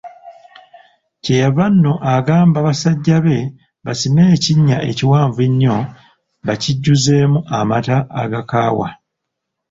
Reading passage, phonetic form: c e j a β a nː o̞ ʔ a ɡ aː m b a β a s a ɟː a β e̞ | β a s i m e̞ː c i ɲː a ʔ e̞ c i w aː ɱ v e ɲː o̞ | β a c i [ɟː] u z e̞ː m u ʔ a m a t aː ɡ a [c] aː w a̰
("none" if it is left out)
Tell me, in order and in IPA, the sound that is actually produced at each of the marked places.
ɟː, k

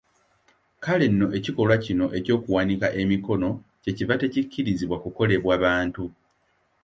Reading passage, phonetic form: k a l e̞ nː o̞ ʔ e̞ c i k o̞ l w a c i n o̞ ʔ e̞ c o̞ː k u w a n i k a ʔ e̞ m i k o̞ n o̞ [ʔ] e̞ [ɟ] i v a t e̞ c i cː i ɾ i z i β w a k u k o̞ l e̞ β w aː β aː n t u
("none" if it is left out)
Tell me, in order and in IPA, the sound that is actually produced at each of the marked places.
c, c

